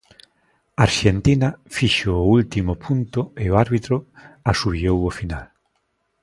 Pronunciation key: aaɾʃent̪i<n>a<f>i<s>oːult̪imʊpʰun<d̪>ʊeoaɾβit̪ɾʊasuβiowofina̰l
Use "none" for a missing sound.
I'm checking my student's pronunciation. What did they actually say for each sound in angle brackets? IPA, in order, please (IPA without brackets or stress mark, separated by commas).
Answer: n, f, ʃ, t̪